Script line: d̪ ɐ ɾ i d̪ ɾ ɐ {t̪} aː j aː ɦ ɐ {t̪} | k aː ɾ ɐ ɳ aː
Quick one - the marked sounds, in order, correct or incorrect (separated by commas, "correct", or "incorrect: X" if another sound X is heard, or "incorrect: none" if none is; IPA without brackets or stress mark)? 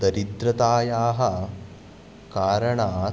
correct, incorrect: none